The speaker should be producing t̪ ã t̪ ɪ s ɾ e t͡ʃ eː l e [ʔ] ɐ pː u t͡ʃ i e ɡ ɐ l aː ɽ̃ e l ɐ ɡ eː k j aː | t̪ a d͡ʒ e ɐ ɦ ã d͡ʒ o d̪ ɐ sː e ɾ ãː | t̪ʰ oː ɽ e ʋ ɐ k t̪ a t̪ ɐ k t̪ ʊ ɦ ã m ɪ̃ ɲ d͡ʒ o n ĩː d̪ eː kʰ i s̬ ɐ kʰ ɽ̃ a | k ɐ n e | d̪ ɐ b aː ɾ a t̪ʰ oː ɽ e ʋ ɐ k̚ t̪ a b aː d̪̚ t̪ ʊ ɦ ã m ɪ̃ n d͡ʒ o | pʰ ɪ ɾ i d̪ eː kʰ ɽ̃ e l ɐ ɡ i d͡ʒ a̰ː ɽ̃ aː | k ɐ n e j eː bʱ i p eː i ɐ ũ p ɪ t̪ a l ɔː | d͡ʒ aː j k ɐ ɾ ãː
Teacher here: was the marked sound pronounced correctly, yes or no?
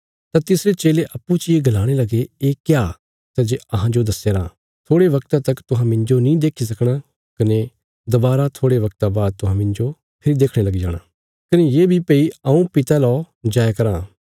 yes